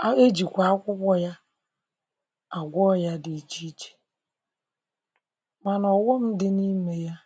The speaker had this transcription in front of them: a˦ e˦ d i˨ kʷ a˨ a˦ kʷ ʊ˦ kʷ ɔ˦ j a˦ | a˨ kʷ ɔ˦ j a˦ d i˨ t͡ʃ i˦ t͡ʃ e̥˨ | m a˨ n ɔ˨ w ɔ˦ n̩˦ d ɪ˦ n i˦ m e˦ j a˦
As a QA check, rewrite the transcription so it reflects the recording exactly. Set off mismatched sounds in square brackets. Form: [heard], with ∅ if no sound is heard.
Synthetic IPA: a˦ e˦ [d͡ʒ] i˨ kʷ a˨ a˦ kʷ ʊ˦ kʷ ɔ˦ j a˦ | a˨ [ɡʷ] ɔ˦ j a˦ d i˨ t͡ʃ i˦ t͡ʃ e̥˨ | m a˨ n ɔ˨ w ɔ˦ [m̩˦] d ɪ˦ n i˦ m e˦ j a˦